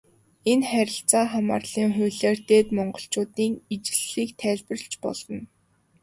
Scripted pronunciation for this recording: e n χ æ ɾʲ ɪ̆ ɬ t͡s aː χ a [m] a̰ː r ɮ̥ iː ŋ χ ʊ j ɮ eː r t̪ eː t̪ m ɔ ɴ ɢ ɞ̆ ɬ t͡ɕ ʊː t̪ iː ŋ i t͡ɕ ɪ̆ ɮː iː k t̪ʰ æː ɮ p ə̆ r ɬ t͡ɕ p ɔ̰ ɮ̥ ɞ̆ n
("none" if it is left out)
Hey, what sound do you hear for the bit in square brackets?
m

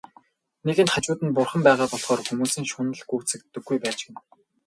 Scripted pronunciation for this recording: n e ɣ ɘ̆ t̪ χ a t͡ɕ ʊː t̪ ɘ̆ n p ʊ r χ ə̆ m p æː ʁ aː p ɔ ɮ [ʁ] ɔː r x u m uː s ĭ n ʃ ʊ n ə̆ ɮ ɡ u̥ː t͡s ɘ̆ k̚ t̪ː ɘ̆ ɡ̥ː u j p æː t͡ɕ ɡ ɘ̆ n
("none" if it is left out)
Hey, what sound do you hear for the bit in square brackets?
χ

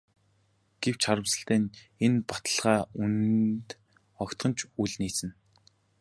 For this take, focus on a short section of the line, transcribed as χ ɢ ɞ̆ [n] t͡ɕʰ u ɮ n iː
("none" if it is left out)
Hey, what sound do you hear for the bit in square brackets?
n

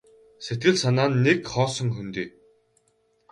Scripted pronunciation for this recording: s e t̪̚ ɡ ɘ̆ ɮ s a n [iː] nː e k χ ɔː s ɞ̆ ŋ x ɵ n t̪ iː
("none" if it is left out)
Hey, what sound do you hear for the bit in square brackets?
aː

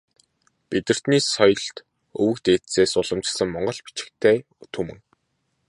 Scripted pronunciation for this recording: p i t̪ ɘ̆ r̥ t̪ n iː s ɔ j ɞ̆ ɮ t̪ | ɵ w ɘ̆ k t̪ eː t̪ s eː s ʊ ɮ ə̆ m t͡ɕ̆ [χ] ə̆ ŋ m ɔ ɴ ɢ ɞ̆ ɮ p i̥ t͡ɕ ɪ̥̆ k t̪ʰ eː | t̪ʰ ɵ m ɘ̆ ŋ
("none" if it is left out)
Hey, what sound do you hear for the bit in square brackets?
s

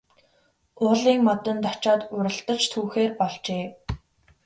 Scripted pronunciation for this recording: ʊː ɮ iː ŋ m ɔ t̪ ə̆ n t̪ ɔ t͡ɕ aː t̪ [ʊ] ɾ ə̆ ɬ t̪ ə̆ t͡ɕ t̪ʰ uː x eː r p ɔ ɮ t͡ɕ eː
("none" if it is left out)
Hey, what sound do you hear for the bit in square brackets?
ʊ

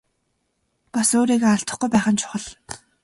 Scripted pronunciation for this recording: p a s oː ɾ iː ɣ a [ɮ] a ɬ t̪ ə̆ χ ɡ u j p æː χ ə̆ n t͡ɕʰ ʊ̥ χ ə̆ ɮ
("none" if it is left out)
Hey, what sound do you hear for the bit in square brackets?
none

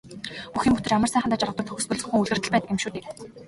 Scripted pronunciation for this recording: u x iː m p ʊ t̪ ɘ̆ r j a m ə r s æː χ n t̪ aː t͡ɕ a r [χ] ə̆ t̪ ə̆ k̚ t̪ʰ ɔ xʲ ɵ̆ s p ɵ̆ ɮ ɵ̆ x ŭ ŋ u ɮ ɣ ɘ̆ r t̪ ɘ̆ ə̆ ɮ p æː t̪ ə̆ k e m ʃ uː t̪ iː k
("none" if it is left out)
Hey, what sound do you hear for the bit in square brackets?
ʁ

